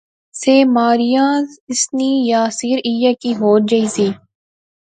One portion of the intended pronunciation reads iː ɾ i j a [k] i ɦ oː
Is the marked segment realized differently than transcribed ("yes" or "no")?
no